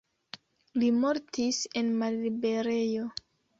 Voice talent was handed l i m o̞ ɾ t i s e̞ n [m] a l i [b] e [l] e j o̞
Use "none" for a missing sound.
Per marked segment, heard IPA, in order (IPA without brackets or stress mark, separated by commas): m, b, ɾ